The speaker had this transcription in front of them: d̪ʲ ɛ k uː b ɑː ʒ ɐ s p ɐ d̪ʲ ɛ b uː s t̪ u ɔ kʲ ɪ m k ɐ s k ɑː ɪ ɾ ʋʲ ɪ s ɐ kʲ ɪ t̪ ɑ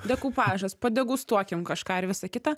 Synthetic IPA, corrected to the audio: d̪ʲ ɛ k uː p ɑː ʒ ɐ s p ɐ d̪ʲ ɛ ɡ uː s t̪ u ɔ kʲ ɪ m k ɐ ʃ k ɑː ɪ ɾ ʋʲ ɪ s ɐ kʲ ɪ t̪ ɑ